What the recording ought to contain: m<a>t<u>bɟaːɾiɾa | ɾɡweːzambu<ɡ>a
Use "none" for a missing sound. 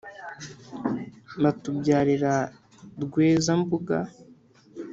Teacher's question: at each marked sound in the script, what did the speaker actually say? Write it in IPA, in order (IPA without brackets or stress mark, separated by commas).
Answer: a, u, ɡ